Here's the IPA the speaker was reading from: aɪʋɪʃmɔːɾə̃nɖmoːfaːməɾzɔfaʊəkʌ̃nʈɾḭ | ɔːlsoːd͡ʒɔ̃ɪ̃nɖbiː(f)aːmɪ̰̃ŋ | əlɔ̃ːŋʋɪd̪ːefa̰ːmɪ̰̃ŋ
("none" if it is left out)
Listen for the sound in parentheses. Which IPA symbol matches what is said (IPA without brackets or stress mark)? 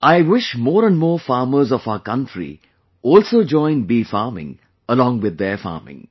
f